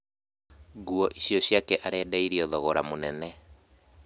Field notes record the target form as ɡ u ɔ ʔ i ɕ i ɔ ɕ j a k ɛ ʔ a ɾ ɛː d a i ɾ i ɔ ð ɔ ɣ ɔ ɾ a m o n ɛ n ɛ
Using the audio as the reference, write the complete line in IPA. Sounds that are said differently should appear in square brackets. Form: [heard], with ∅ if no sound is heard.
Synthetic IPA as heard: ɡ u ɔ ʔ i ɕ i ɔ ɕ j a k ɛ ʔ a ɾ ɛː d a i ɾ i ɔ ð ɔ ɣ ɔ ɾ a m o n ɛ n ɛ